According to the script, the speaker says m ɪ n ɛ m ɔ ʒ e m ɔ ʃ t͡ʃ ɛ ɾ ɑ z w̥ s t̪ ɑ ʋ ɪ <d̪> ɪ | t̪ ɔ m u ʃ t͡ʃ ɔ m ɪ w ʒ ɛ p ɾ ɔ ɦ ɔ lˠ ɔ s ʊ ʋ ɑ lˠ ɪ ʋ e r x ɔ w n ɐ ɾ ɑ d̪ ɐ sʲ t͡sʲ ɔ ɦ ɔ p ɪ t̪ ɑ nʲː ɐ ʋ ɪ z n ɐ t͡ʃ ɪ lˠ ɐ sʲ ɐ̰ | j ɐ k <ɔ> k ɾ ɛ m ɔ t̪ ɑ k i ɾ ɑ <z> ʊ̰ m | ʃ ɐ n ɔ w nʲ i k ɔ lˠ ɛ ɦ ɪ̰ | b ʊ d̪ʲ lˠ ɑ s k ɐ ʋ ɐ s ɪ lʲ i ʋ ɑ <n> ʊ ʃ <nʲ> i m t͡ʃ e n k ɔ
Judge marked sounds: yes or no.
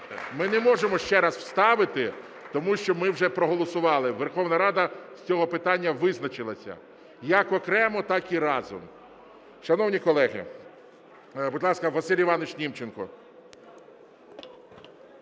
no, yes, yes, yes, yes

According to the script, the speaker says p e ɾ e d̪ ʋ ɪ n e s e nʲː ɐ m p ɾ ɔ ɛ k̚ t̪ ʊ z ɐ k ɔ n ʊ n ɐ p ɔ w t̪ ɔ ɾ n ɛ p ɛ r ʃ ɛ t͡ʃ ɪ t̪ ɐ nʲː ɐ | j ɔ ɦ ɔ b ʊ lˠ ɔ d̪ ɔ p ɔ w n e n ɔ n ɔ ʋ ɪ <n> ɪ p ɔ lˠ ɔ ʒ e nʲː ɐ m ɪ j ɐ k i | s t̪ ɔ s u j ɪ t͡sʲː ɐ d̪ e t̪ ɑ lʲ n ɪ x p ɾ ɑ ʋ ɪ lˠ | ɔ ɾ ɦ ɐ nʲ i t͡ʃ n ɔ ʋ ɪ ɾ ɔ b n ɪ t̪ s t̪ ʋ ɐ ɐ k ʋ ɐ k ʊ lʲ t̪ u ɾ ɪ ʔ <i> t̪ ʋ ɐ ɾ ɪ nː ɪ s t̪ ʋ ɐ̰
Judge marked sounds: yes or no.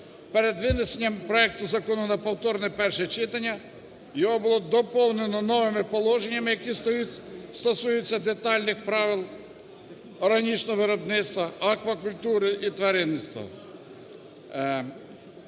no, yes

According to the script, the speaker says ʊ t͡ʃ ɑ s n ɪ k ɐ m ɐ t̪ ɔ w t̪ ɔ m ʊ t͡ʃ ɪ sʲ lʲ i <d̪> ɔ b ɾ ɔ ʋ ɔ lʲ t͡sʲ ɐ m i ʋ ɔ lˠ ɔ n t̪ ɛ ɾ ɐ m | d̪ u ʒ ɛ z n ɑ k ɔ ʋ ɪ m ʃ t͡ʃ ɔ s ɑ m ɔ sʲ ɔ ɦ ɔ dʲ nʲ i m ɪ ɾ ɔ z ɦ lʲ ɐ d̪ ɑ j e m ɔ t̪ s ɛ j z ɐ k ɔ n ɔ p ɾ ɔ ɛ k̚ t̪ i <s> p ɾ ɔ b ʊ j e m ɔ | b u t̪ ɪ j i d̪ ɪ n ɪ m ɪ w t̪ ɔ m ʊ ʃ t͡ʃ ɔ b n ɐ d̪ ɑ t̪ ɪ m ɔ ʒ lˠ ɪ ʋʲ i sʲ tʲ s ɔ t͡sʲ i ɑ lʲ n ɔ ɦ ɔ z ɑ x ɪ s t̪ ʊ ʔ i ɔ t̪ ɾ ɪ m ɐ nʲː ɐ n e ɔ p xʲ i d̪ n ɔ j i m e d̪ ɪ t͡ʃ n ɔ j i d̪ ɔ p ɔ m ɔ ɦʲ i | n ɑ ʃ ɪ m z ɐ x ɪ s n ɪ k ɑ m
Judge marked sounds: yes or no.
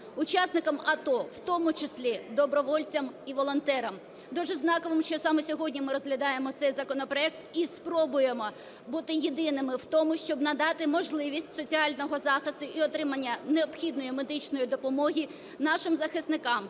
yes, yes

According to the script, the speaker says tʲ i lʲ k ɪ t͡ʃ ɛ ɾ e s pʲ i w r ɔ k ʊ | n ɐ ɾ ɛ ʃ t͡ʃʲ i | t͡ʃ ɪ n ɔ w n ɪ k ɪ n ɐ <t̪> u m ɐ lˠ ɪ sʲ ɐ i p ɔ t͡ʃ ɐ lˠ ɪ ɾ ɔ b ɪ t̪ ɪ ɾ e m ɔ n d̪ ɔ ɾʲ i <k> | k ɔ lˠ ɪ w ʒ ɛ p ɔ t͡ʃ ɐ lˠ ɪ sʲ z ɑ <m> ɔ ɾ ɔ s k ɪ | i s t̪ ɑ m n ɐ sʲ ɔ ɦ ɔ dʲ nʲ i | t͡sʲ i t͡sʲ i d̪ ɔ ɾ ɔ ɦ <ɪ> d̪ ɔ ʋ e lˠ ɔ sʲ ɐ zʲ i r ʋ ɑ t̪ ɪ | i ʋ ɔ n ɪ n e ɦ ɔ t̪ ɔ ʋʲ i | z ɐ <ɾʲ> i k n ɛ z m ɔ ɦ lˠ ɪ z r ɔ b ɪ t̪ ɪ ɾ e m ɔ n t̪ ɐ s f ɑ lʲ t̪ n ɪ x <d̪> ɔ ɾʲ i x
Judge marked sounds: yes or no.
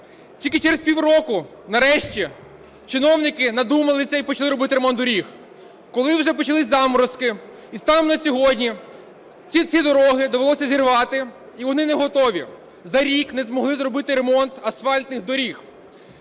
no, no, yes, yes, yes, yes

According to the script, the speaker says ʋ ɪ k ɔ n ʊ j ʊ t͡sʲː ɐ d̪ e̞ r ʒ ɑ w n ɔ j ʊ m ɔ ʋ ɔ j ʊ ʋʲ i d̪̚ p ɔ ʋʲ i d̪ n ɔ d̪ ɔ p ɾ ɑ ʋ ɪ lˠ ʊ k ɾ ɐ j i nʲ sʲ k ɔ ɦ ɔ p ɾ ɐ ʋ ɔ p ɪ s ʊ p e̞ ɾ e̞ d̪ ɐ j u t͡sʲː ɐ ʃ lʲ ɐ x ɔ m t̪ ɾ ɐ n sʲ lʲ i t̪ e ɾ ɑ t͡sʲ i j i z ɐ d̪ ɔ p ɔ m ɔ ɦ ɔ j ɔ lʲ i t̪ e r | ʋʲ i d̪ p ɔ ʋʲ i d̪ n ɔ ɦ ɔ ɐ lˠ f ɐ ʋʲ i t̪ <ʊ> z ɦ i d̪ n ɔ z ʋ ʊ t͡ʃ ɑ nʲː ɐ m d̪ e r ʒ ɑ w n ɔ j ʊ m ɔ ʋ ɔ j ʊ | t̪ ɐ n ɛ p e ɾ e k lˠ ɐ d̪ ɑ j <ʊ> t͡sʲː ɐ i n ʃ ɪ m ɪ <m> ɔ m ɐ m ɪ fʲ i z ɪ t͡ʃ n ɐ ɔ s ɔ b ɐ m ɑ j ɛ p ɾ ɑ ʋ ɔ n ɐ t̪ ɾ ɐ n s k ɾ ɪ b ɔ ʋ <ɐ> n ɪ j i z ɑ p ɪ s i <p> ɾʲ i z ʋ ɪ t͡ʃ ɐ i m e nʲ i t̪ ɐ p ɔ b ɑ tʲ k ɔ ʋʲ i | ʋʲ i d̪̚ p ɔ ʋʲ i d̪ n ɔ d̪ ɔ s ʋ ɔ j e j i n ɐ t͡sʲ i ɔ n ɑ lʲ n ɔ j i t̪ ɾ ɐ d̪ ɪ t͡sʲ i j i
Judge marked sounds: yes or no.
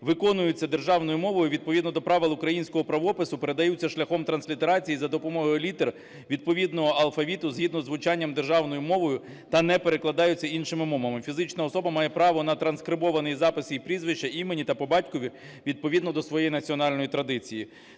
yes, yes, yes, yes, yes

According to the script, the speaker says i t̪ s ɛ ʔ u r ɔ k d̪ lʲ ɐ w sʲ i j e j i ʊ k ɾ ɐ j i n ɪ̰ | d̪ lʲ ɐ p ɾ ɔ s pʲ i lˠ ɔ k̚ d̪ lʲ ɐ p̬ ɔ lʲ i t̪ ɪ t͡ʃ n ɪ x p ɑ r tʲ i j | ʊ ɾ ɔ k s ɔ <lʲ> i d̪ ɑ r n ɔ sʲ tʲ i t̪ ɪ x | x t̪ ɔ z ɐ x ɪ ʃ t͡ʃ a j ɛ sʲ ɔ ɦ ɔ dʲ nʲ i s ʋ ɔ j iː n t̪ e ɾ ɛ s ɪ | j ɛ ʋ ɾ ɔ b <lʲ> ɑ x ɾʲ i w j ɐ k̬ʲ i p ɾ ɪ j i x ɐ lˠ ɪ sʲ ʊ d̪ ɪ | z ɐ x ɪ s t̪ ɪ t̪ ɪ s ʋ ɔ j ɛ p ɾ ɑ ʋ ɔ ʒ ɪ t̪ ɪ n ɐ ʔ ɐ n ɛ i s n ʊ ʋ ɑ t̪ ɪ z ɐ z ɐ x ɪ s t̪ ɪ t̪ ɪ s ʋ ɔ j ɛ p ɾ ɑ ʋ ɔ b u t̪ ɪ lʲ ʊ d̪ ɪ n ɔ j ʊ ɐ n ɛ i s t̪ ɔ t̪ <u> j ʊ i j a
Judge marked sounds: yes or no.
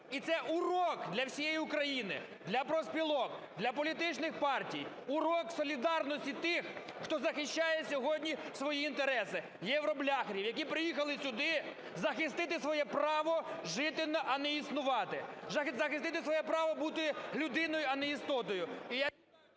yes, yes, no

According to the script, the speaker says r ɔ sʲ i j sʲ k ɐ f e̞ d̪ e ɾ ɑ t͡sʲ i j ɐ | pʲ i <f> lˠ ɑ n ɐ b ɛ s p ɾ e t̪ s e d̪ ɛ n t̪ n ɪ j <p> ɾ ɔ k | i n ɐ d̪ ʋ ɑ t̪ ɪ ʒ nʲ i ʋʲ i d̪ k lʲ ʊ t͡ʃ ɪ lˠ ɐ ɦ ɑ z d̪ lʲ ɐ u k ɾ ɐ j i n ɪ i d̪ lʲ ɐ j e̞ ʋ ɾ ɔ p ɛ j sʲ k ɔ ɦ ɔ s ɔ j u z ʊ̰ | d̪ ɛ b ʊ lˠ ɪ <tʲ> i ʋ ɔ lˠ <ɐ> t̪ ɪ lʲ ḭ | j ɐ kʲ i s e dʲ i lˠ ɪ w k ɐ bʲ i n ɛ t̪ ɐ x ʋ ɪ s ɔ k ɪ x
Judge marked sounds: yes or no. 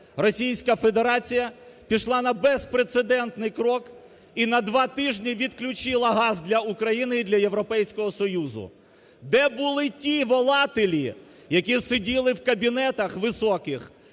no, no, yes, no

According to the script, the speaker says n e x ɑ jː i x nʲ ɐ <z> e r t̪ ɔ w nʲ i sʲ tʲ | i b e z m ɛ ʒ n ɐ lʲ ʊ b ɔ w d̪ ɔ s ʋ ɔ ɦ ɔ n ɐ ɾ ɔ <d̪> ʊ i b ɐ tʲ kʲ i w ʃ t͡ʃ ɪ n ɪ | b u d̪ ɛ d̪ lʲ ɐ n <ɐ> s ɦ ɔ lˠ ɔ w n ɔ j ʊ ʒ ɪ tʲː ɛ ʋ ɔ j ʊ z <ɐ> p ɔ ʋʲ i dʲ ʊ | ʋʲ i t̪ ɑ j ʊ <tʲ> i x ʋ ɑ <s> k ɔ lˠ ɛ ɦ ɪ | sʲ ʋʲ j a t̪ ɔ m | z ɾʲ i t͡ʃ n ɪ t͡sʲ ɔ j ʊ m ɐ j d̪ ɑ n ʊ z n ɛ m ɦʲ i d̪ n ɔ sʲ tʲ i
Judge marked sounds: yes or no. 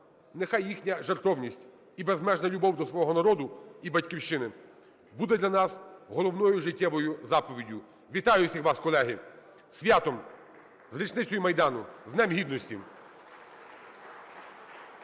no, yes, no, no, no, yes

